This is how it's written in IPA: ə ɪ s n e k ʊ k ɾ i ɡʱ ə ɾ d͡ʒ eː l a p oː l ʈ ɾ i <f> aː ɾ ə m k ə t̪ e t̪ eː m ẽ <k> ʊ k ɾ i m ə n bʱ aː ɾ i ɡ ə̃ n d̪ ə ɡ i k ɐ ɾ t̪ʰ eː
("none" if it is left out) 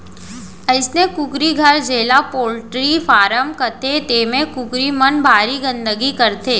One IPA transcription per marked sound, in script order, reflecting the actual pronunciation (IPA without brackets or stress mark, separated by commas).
f, k